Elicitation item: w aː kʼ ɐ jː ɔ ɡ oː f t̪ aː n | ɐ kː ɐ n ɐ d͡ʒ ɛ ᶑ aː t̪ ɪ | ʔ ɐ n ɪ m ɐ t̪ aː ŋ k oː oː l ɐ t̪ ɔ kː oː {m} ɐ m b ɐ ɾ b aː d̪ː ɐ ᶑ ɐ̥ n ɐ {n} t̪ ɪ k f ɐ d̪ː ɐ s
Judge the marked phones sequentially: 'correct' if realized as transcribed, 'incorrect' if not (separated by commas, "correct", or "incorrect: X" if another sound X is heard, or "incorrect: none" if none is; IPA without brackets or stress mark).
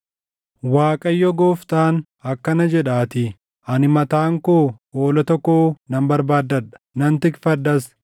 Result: incorrect: n, correct